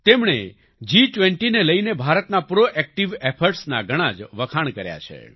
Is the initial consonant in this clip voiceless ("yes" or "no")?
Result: yes